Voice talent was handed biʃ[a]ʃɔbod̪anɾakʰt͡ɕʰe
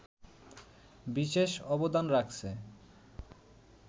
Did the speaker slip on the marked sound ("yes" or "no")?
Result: yes